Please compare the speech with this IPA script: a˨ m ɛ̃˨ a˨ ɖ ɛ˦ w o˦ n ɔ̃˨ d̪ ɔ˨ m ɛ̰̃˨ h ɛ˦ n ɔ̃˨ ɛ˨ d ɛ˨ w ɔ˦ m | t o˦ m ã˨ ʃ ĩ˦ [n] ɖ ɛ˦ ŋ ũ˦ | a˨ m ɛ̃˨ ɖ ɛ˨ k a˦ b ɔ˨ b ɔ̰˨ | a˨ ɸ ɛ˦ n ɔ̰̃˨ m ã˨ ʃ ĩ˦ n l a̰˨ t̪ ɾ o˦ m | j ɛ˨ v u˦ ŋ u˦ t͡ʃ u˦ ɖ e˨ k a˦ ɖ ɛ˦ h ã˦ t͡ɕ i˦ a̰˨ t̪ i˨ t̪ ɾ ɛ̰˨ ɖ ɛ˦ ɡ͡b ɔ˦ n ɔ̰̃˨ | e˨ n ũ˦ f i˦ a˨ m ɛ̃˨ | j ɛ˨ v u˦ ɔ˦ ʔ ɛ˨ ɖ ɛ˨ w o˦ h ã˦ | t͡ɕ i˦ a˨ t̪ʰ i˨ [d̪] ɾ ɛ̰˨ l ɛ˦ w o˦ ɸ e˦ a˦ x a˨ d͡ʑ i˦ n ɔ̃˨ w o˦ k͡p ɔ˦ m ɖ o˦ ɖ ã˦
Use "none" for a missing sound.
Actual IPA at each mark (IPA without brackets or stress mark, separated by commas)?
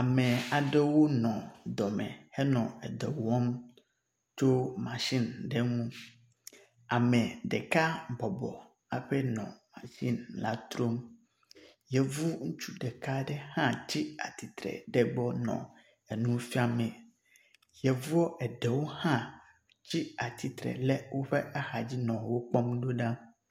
n, t̪